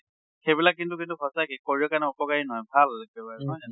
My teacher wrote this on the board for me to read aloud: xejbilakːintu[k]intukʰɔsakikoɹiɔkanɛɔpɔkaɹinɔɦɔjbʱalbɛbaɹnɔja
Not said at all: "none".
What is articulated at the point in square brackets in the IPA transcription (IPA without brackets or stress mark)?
k